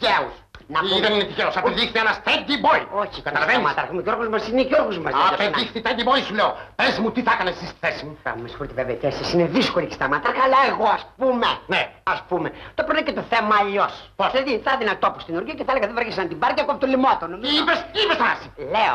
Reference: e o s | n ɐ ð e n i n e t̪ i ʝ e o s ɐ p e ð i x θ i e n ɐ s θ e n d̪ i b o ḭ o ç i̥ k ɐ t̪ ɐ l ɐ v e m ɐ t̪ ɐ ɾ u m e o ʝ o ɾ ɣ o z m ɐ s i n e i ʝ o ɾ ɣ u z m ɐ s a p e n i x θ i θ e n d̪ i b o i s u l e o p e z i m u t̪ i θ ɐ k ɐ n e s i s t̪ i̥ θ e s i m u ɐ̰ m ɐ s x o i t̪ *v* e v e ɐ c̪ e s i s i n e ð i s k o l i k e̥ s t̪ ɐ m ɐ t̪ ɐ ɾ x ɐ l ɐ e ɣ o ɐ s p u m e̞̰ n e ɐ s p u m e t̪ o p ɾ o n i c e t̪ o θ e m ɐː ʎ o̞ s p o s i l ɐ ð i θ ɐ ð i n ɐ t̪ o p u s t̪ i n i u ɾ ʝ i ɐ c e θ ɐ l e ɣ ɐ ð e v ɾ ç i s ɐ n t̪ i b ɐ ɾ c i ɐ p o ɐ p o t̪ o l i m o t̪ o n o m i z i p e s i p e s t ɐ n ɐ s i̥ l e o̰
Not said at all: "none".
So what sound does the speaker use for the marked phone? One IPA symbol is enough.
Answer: v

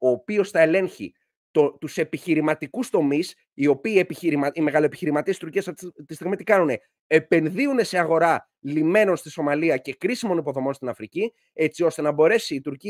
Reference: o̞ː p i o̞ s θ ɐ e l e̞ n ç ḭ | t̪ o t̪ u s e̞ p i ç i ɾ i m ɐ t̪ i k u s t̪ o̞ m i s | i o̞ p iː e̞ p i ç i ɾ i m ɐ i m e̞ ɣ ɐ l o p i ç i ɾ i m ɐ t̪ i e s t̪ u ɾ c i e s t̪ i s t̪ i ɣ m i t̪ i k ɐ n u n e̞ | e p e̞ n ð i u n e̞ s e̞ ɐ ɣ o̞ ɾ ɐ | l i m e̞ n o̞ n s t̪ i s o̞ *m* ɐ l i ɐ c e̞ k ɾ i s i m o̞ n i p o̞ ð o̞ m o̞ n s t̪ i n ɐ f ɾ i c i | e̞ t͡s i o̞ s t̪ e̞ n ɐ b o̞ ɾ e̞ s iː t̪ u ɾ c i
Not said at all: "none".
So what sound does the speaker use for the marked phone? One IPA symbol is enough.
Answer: m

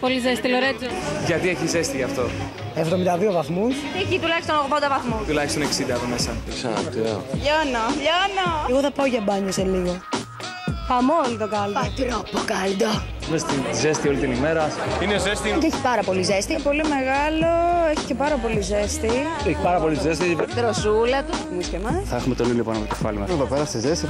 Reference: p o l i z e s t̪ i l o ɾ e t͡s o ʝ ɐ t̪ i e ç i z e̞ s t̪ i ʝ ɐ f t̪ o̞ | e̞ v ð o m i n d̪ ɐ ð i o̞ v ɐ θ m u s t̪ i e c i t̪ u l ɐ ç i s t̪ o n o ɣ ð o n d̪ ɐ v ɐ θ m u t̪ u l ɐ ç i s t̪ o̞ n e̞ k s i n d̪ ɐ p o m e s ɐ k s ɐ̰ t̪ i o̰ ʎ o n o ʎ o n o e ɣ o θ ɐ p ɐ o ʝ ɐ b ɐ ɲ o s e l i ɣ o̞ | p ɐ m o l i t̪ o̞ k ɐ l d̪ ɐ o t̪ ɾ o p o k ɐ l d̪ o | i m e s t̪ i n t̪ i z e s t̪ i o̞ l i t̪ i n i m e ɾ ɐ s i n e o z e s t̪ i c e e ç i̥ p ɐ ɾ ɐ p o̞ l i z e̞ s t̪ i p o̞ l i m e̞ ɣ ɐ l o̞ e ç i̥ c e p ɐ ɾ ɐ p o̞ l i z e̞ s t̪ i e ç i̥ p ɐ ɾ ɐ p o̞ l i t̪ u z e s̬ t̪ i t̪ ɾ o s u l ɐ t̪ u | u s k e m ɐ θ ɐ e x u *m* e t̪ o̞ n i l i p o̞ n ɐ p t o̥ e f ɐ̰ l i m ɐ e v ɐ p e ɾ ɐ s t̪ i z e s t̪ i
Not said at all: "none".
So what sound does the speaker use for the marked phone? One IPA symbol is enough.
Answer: m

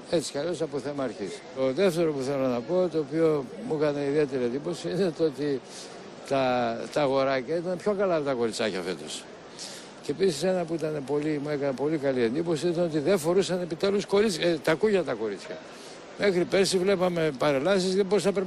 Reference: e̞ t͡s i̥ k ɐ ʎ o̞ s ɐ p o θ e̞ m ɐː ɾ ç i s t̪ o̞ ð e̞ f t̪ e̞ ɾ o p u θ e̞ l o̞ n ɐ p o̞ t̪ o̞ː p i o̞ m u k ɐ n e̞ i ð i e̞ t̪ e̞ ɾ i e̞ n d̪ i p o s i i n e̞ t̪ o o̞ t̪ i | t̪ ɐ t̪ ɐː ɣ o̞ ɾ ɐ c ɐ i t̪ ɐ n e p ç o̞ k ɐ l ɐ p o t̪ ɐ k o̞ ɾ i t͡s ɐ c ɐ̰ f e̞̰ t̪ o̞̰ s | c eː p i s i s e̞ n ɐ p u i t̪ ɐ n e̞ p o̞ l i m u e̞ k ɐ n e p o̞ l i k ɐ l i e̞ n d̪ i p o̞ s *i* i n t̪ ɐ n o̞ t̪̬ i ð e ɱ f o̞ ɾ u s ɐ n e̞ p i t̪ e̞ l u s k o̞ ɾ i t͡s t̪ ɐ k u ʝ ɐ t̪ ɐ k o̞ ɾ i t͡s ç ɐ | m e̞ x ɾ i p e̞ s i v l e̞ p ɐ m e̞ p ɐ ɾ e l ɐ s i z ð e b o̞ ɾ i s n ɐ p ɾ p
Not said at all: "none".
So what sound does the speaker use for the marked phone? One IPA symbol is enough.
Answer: i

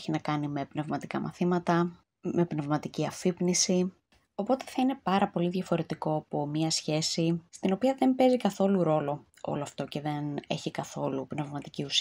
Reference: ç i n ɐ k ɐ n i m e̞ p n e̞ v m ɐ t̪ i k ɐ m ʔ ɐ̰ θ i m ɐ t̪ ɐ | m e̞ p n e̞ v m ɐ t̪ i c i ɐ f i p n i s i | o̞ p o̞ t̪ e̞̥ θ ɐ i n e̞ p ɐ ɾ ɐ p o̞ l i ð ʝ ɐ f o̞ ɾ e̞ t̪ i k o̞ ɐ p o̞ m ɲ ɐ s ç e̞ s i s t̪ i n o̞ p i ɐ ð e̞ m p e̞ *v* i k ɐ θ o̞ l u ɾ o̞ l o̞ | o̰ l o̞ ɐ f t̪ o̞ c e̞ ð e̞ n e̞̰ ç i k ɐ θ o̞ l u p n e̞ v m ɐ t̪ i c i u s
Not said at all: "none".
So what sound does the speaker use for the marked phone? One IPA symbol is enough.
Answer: z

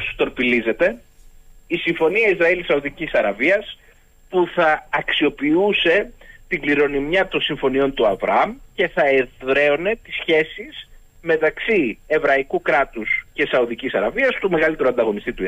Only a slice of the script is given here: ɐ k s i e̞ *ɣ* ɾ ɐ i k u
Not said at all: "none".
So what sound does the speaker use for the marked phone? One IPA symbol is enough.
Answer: v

